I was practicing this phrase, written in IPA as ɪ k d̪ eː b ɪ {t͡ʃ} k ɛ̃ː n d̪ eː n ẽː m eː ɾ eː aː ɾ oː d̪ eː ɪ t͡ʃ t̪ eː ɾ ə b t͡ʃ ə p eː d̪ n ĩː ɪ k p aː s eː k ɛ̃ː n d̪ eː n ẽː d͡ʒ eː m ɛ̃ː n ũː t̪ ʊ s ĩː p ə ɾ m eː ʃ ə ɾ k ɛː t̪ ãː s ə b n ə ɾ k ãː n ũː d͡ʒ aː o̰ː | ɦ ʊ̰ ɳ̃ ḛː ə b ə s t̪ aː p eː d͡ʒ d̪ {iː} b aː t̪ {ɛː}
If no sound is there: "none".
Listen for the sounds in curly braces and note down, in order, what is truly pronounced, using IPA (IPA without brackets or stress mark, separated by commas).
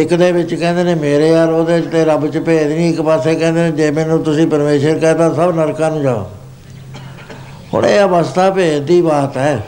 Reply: t͡ʃ, iː, ɛː